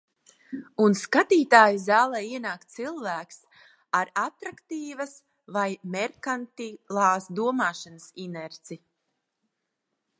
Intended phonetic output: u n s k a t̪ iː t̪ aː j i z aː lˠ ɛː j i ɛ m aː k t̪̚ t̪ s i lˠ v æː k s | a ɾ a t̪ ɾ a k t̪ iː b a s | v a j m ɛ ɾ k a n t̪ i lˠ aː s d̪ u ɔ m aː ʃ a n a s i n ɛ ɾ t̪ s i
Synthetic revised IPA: u n s k a t̪ iː t̪ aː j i z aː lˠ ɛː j i ɛ n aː k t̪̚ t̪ s i lˠ v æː k s | a ɾ a t̪ ɾ a k t̪ iː v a s | v a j m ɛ ɾ k a n t̪ i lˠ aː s d̪ u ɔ m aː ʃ a n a s i n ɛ ɾ t̪ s i